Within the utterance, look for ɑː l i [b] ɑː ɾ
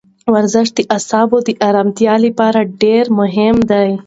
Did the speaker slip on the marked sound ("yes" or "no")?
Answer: yes